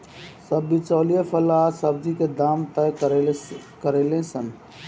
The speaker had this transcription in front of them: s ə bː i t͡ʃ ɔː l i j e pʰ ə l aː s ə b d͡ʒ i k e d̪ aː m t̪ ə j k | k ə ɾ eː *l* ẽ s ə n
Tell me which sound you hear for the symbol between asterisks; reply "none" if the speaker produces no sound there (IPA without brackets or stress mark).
l